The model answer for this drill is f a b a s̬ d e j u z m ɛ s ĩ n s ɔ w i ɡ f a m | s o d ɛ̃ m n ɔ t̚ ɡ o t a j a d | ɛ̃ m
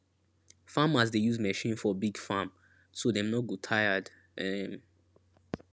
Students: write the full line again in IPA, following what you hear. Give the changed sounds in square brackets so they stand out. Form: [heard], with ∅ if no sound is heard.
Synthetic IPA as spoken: f a [m] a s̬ d e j u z m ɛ [ʃ] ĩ n [f] ɔ [b] i ɡ f a m | s o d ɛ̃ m n ɔ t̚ ɡ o [tʰ] a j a d | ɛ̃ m